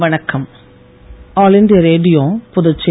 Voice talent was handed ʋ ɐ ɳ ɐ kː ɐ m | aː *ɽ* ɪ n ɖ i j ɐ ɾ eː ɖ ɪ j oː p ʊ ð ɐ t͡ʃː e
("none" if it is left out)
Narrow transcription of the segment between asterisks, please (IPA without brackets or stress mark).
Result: l